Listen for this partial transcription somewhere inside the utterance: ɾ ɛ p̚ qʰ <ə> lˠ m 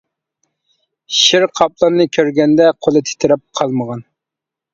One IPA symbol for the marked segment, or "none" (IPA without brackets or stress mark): ɑ